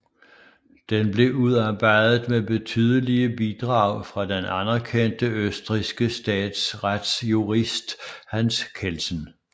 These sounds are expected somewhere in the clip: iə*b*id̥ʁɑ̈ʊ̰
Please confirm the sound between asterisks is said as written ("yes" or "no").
yes